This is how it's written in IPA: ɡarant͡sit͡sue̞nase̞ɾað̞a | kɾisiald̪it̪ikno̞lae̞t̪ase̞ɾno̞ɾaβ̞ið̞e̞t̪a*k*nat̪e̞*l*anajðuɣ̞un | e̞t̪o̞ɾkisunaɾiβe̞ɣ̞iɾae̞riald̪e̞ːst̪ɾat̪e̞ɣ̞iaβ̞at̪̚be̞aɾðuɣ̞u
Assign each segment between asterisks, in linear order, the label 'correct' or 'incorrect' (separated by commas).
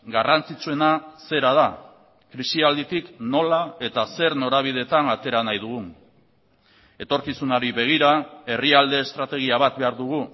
incorrect, incorrect